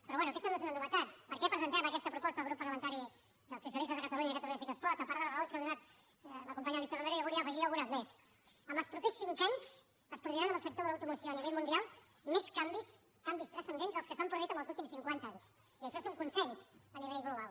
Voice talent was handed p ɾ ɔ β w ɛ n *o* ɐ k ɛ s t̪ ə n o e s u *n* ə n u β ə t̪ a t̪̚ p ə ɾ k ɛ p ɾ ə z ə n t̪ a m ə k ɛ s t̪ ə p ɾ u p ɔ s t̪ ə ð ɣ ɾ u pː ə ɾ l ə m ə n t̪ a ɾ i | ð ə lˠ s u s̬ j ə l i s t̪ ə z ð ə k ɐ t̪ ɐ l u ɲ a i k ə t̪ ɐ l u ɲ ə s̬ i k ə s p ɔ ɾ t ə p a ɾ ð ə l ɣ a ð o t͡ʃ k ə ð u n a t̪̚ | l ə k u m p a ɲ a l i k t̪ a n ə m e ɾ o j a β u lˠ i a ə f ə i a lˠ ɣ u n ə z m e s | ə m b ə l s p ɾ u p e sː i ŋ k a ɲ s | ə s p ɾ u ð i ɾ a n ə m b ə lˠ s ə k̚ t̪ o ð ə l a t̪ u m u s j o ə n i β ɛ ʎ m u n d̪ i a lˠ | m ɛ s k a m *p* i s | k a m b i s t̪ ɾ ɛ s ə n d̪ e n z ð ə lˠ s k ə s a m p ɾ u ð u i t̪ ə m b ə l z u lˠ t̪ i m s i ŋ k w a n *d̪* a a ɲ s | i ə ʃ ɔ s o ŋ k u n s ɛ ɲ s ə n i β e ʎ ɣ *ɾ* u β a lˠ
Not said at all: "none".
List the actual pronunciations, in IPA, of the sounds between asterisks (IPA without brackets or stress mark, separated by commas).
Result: u, n, b, t̪, l